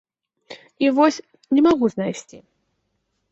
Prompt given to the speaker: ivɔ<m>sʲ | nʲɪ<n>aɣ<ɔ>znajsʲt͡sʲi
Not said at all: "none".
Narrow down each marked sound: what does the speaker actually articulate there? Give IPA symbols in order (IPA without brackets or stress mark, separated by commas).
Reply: none, m, u